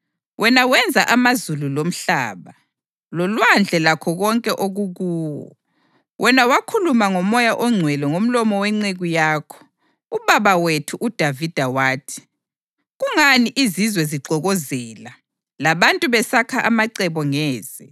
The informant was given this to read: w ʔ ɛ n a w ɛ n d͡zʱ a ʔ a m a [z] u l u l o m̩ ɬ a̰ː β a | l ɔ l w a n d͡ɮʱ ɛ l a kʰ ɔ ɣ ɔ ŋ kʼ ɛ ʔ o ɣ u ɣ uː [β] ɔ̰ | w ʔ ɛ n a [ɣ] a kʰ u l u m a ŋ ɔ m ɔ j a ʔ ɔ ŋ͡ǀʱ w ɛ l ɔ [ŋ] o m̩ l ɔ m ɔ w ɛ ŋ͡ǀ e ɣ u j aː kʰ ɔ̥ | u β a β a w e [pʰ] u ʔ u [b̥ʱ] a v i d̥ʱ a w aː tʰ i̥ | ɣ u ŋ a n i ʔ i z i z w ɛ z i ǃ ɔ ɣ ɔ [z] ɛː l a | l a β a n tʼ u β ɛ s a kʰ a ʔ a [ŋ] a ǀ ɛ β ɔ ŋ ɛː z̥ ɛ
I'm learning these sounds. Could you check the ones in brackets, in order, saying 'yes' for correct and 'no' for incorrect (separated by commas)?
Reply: yes, no, no, yes, no, no, yes, no